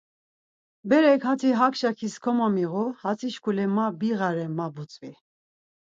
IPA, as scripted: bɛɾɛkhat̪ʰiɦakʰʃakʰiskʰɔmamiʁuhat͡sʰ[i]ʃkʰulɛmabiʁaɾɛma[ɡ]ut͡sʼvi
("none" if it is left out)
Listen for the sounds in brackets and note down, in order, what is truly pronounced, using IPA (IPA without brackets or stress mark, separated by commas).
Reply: i, b